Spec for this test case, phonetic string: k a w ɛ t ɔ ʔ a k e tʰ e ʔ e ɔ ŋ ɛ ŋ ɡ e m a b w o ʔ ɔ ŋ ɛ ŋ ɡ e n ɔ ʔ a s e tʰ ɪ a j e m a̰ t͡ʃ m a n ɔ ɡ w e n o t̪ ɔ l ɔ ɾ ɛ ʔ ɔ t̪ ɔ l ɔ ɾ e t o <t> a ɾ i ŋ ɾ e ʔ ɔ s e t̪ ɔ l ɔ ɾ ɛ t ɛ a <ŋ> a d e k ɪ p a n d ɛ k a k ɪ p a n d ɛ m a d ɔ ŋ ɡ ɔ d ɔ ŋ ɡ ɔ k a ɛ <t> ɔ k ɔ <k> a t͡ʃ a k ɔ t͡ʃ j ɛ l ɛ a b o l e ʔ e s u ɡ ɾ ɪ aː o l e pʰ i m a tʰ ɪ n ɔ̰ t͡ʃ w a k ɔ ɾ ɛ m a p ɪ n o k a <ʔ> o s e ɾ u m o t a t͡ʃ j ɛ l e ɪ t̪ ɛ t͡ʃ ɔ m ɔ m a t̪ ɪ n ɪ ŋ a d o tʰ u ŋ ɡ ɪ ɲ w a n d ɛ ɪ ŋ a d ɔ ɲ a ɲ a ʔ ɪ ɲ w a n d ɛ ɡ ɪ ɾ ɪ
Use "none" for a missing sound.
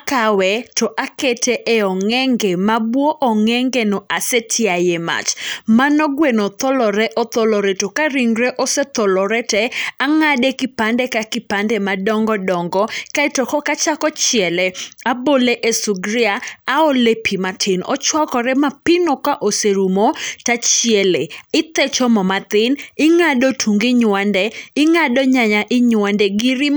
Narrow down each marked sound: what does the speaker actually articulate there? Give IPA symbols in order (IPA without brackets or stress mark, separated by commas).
k, ŋ, t, k, ʔ